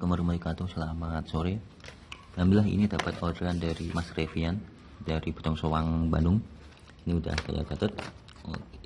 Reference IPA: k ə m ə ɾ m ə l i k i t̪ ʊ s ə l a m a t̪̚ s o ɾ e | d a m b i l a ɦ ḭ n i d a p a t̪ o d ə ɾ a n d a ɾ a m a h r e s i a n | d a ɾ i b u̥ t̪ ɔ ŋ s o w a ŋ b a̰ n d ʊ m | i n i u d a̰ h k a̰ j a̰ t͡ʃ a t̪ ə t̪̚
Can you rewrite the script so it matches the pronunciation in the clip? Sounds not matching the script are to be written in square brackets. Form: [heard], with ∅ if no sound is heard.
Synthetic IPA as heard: k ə m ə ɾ m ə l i k [a] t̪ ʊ s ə l a m a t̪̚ s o ɾ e | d a m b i l a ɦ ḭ n i d a p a t̪ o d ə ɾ a n d a ɾ [i] m a [s] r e [f] i a n | d a ɾ i b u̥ t̪ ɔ ŋ s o w a ŋ b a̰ n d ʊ [ŋ] | i n i u d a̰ h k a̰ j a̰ t͡ʃ a t̪ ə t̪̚